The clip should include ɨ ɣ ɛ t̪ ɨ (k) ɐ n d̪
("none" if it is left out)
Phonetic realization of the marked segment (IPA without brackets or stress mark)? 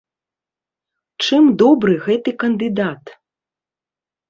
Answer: k